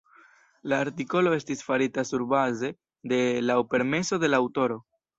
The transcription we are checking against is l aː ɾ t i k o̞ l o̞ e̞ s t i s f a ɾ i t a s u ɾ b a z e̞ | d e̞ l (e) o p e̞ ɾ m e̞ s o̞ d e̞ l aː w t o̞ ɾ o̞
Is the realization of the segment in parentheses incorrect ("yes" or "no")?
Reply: yes